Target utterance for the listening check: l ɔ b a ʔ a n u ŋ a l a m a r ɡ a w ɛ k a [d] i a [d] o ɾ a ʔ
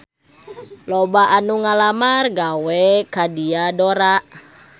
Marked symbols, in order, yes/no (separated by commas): yes, yes